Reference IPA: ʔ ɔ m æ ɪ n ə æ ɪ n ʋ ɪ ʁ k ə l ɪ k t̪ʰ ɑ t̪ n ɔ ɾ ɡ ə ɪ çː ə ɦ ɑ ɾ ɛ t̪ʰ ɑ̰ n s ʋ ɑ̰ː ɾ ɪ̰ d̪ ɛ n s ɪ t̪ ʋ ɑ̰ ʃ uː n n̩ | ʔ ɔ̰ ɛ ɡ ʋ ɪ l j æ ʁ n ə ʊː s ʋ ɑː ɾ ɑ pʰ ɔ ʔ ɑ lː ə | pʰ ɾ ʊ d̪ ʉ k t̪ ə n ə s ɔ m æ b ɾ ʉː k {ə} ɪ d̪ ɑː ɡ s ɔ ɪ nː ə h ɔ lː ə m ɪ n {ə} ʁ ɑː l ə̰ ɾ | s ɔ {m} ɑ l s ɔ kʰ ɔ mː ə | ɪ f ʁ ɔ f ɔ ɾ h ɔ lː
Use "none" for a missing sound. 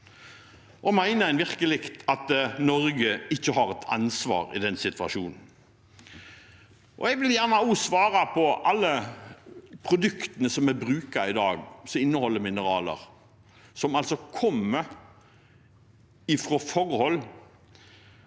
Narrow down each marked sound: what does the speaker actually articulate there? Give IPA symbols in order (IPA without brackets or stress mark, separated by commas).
ɑ, ə, m